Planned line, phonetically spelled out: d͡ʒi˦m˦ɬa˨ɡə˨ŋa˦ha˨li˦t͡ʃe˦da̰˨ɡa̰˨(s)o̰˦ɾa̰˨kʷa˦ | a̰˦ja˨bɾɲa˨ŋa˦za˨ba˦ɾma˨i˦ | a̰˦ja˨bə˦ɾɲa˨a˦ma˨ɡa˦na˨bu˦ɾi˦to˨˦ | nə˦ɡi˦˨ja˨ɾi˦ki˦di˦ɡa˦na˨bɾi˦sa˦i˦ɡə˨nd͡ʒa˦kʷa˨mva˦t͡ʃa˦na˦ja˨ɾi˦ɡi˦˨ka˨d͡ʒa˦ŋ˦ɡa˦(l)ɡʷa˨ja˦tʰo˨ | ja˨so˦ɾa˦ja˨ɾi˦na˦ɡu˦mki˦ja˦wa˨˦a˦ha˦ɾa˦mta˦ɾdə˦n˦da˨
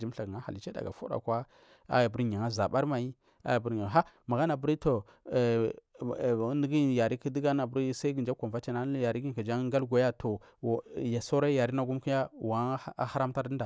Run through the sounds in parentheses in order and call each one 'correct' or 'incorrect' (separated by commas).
incorrect, correct